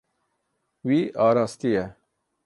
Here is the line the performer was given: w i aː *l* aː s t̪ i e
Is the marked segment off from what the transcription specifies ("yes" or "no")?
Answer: yes